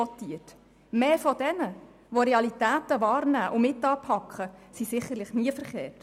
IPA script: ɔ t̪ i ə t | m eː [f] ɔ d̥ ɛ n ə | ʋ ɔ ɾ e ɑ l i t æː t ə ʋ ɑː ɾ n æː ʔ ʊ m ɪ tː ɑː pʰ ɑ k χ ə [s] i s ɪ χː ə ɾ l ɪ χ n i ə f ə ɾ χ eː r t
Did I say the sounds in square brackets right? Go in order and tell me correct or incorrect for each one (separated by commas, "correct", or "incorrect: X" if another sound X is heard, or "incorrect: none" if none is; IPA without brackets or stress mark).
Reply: correct, correct